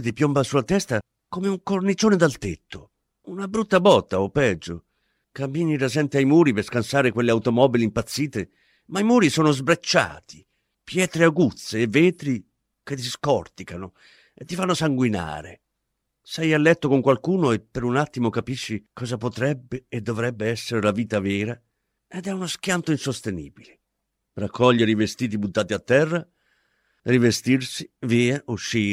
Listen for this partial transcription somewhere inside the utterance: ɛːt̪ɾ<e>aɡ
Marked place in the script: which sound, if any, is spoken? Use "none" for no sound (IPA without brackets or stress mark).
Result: e